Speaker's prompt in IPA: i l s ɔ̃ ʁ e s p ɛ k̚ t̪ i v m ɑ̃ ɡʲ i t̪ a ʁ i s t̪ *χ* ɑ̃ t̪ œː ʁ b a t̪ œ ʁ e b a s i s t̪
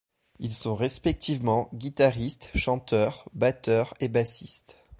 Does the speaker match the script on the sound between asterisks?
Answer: no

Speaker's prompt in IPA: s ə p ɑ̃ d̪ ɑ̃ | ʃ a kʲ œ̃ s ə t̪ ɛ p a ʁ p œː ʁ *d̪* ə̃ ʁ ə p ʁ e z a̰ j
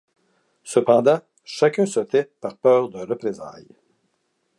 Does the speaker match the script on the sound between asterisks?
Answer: yes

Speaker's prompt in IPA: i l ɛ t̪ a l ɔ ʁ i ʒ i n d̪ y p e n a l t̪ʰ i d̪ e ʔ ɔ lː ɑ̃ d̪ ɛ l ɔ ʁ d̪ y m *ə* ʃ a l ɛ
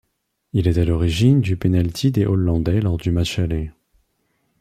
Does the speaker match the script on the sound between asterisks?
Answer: no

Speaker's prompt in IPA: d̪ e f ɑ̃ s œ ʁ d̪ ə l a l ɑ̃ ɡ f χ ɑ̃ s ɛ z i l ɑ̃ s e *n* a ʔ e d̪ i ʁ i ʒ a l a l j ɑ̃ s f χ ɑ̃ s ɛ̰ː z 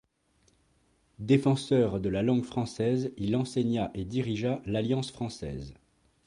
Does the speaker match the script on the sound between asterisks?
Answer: no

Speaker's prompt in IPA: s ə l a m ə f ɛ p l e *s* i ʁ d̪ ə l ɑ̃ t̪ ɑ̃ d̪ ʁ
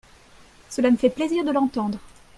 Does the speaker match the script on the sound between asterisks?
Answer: no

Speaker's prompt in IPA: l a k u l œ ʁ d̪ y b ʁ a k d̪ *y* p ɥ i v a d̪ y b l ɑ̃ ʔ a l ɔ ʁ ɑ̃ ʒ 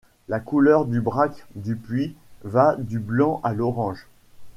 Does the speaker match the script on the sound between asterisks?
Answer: yes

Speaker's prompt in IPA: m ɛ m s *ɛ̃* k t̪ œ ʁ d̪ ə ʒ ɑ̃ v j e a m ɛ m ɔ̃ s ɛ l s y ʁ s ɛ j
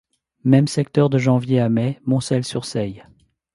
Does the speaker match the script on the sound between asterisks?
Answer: no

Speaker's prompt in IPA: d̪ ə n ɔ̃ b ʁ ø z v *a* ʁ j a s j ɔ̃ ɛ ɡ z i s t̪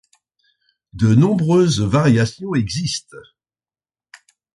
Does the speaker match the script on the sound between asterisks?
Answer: yes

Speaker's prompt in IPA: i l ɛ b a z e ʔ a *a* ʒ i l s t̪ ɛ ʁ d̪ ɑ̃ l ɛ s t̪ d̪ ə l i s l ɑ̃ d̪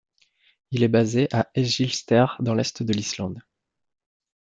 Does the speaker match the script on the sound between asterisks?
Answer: no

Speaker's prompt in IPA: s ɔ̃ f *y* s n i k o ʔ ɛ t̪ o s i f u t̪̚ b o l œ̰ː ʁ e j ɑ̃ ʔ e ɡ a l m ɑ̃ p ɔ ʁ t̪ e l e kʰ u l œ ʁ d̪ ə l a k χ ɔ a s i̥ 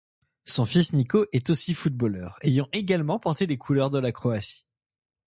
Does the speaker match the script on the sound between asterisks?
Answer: no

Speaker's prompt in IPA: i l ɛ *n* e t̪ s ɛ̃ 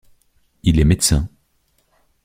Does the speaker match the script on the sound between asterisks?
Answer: no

